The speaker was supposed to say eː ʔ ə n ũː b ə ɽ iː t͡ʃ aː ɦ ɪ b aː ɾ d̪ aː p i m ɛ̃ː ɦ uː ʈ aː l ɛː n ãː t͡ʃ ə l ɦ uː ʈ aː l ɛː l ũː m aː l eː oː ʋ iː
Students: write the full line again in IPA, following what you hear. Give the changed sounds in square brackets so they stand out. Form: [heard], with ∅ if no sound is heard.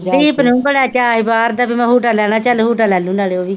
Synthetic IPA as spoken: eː [p] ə n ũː b ə ɽ [aː] t͡ʃ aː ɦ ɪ b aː ɾ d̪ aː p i m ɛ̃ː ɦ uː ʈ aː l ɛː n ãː t͡ʃ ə l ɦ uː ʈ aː l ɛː l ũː [n] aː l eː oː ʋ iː